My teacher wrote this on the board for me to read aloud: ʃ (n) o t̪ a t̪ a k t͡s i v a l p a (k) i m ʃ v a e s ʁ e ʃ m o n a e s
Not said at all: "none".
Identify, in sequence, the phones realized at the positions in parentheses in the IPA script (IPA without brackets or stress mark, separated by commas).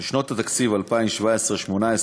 n, none